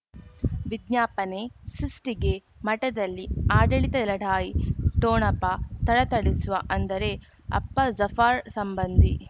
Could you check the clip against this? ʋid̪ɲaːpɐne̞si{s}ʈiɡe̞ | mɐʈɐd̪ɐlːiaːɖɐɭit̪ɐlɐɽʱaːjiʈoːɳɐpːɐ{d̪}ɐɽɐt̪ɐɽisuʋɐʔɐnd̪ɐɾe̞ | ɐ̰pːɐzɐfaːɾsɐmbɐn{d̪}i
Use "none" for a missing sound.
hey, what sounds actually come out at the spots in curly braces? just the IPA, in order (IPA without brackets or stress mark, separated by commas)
s, t̪, d̪